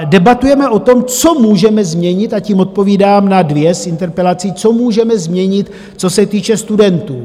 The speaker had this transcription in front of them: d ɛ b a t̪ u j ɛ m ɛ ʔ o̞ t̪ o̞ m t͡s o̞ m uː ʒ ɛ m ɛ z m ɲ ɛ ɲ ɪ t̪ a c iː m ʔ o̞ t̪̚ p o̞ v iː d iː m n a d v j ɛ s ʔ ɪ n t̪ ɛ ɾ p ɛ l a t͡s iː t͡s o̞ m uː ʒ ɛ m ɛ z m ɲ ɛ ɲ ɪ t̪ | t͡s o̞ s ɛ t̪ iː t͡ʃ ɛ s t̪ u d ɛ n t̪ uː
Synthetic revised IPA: d ɛ b a t̪ u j ɛ m ɛ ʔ o̞ t̪ o̞ m t͡s o̞ m uː ʒ ɛ m ɛ z m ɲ ɛ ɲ ɪ t̪ a c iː m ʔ o̞ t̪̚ p o̞ v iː d aː m n a d v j ɛ s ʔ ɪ n t̪ ɛ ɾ p ɛ l a t͡s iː t͡s o̞ m uː ʒ ɛ m ɛ z m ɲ ɛ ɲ ɪ t̪ | t͡s o̞ s ɛ t̪ iː t͡ʃ ɛ s t̪ u d ɛ n t̪ uː